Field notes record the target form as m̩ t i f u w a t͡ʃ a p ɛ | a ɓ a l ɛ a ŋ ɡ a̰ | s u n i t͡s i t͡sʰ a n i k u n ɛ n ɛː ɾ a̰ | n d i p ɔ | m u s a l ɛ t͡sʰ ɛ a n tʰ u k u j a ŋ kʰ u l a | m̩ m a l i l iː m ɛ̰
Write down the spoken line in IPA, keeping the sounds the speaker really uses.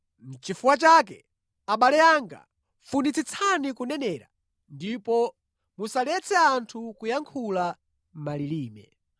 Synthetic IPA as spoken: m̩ t͡ʃ i f u w a t͡ʃ a k ɛ | a ɓ a l ɛ a ŋ ɡ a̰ | f u n i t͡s i t͡sʰ a n i k u n ɛ n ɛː ɾ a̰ | n d i p ɔ | m u s a l ɛ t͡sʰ ɛ a n tʰ u k u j a ŋ kʰ u l a | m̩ m a l i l iː m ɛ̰